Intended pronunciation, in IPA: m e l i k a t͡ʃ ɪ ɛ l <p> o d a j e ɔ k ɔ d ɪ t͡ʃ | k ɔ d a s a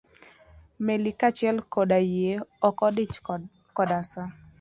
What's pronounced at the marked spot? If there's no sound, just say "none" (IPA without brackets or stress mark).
k